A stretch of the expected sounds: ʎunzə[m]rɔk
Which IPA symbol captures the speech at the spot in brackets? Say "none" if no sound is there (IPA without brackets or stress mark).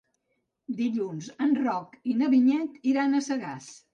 n